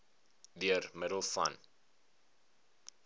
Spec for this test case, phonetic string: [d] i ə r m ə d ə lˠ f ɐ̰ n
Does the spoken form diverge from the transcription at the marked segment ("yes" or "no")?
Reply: no